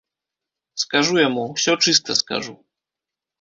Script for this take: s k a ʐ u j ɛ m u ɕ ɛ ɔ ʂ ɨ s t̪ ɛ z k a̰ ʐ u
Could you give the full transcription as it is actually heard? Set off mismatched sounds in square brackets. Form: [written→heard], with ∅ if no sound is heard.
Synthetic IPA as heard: s k a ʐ u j ɛ m u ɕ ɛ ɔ [ʂ→t͡ʂ] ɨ s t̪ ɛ [z→s] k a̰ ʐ u